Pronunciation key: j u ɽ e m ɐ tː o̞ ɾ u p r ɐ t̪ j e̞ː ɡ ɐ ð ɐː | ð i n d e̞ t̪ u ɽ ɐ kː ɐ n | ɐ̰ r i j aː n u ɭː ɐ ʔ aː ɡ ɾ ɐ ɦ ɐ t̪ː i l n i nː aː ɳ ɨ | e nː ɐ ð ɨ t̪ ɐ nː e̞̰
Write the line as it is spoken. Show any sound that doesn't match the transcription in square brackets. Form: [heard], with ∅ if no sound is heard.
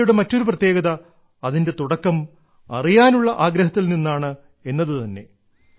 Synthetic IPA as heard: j u ɽ e m ɐ tː o̞ ɾ u p r ɐ t̪ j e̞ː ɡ ɐ ð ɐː | ð i n d e̞ t̪ u ɽ ɐ kː ɐ [m] | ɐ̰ r i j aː n u ɭː ɐ ʔ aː ɡ ɾ ɐ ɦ ɐ t̪ː i l n i nː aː ɳ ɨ | e nː ɐ ð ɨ t̪ ɐ nː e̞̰